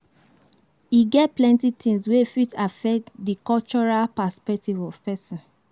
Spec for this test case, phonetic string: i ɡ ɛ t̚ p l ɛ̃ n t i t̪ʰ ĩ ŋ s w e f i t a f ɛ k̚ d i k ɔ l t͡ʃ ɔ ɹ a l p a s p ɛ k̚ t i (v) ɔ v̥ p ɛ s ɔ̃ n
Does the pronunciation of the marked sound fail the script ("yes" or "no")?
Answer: no